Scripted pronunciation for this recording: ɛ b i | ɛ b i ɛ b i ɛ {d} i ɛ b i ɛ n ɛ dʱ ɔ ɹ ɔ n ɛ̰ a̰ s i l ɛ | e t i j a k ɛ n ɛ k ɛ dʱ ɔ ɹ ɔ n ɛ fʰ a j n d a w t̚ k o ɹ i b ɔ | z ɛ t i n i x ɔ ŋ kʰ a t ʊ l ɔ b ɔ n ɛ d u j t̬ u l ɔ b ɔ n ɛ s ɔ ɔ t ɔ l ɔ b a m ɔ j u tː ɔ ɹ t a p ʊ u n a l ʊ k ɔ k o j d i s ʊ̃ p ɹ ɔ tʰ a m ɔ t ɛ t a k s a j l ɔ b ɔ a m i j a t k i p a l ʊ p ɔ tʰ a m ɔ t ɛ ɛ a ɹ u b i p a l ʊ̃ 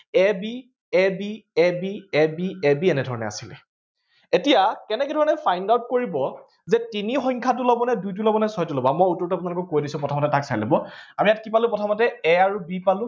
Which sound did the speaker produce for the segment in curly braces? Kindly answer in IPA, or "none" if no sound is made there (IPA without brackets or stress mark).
b